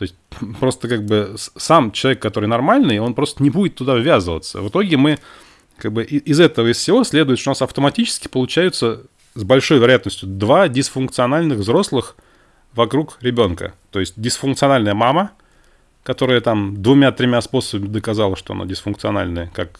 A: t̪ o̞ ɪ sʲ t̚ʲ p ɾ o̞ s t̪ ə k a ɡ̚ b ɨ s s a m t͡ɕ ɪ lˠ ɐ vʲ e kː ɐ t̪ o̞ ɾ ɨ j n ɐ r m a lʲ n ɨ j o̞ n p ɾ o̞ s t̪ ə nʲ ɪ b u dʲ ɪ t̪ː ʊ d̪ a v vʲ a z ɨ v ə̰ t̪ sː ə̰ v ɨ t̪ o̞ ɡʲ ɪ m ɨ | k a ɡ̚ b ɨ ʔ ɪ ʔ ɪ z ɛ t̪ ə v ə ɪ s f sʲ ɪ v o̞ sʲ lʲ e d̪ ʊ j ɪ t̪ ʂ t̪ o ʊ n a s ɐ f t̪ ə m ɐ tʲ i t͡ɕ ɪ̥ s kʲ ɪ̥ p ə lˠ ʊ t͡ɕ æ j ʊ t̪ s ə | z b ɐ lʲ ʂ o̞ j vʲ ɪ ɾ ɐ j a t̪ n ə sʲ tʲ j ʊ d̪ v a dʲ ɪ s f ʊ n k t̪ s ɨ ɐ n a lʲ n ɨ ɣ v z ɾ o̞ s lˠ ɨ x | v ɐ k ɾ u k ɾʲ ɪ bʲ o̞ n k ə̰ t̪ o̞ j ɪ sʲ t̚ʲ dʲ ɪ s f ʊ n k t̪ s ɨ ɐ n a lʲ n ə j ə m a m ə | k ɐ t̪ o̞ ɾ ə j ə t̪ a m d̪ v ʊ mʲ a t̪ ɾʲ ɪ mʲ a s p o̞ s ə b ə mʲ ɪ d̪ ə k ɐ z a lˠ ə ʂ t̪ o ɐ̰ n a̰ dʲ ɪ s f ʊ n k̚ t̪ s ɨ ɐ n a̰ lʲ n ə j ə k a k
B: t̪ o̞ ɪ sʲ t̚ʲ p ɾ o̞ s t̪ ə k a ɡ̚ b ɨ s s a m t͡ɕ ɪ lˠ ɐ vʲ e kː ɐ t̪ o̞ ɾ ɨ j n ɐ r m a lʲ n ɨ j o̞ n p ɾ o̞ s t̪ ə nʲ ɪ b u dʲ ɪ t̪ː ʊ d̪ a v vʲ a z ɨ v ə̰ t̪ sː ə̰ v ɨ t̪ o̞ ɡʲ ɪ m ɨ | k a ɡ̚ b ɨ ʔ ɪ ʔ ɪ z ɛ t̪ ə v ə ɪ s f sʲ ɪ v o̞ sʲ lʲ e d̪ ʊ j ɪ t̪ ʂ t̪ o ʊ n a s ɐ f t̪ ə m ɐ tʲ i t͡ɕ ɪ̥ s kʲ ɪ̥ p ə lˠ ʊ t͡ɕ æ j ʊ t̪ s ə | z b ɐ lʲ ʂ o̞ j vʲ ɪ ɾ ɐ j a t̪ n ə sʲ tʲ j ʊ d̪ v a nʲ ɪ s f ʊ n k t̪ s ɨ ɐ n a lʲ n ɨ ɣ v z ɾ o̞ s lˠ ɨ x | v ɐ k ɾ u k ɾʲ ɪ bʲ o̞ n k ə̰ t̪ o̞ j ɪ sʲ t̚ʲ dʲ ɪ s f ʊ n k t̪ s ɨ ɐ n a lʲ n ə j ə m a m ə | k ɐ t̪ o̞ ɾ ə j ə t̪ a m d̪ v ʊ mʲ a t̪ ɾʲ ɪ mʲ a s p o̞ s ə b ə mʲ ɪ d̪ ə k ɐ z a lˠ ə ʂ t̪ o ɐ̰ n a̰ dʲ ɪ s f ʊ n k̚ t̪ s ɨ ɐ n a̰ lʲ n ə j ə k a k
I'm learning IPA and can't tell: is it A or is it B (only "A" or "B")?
A